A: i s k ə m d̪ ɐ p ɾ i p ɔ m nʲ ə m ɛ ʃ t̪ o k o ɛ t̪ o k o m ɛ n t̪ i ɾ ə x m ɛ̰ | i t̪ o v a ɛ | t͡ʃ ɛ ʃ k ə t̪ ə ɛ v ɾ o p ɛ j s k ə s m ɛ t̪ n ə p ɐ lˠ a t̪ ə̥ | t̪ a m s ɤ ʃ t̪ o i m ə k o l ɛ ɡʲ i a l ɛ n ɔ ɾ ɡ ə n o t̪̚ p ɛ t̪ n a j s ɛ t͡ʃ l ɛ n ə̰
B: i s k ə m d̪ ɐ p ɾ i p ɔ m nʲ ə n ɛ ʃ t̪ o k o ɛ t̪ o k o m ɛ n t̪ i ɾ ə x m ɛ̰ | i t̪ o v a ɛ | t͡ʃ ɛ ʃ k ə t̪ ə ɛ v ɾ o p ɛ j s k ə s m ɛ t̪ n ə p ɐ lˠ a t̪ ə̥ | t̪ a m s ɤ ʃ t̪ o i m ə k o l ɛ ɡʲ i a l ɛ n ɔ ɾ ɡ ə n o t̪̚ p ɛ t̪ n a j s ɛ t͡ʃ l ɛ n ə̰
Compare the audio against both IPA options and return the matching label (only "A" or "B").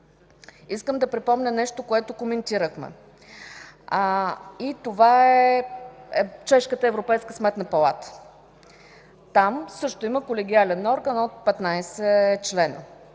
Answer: B